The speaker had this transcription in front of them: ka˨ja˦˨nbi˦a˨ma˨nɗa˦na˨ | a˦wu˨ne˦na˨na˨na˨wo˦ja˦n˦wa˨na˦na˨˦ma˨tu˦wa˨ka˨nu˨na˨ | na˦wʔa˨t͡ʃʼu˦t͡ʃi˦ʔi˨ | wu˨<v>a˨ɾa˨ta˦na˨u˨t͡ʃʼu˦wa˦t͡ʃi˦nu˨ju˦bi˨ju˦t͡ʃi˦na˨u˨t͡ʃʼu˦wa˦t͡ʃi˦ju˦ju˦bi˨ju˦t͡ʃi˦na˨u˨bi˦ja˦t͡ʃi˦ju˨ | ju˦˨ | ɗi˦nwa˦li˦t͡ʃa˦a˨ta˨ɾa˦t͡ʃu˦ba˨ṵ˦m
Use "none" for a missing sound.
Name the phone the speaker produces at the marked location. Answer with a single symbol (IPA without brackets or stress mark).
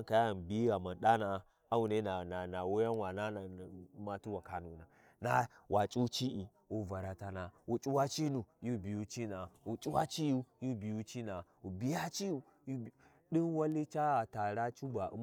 v